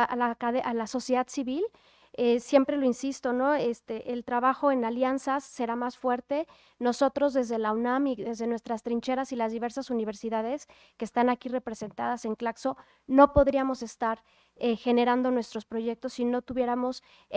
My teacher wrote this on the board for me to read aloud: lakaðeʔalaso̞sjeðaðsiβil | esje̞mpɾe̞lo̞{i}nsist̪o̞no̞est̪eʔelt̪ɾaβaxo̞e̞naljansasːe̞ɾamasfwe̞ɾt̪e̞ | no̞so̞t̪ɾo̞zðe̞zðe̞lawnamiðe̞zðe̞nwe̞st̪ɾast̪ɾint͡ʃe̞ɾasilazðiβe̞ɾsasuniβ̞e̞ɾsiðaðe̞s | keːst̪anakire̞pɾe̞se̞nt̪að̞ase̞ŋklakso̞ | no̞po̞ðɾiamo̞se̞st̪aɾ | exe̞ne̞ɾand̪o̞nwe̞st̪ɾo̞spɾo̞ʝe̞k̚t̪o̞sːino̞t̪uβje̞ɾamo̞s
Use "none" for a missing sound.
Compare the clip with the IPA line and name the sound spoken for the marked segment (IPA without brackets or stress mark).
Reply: i